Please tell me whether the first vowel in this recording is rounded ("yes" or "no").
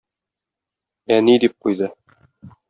no